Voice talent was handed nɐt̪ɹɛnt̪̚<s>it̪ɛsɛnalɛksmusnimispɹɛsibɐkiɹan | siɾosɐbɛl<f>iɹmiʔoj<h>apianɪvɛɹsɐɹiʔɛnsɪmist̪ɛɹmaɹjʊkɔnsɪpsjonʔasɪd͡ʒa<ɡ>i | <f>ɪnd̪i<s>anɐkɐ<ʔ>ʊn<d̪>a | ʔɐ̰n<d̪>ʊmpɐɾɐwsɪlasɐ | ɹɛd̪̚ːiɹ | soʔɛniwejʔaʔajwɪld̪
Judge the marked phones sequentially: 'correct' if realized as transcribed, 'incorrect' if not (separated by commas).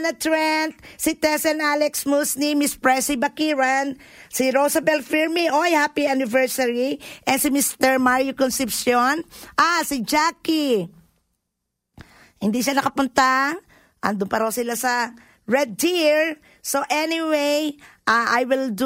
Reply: correct, correct, correct, incorrect, incorrect, incorrect, incorrect, incorrect, correct